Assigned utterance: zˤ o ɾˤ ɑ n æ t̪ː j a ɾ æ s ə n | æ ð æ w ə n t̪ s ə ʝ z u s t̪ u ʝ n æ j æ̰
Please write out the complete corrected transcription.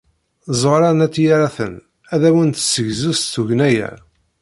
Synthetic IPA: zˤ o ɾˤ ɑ n æ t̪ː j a ɾ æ θ ə n | æ ð æ w ə n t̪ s ə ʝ z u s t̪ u ʝ n æ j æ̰